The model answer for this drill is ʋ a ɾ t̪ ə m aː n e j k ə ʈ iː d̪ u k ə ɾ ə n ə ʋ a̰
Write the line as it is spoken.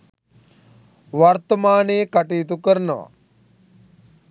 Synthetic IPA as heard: ʋ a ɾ t̪ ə m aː n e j k a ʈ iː t̪ u k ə ɾ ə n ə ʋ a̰